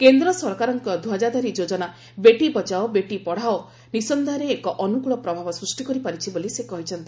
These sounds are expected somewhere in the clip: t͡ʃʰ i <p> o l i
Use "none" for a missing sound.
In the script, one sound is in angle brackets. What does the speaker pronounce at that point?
b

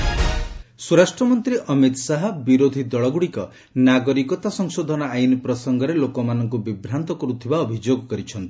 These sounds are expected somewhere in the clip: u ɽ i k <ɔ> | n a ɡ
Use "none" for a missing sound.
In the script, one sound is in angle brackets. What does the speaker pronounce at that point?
ɔ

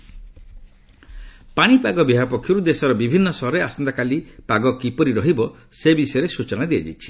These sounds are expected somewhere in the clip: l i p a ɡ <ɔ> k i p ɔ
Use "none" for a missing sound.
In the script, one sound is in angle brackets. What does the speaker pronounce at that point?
ɔ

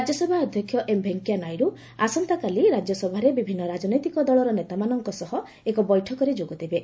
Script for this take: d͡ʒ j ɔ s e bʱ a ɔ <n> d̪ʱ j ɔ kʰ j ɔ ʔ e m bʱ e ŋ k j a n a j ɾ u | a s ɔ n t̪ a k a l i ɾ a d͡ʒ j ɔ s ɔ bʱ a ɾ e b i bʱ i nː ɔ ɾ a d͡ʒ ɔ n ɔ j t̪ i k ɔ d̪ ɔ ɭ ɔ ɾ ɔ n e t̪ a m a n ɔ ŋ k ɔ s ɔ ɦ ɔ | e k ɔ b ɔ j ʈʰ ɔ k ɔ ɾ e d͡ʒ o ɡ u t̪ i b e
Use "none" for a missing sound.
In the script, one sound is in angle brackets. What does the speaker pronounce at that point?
none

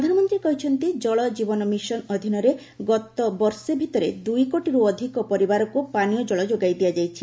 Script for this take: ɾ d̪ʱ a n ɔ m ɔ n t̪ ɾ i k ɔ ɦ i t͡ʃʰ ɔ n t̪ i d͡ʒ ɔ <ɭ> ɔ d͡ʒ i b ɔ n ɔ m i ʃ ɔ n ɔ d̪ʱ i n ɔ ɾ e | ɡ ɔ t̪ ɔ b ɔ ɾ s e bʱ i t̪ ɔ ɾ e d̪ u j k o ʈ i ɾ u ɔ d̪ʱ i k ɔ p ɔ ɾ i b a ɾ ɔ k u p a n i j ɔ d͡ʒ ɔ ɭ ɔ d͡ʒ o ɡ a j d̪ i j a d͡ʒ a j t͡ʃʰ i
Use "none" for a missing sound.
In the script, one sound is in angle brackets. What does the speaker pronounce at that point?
ɭ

